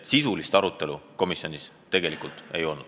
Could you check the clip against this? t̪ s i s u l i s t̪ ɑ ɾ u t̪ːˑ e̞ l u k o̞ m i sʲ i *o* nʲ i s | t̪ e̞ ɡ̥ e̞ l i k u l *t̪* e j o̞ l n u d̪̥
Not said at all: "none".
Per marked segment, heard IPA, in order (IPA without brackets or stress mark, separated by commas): o, t̪